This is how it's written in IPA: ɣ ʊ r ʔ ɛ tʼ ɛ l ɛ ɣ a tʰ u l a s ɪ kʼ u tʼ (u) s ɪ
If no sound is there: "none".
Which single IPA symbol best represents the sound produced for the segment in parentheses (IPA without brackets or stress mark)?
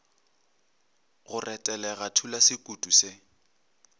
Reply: u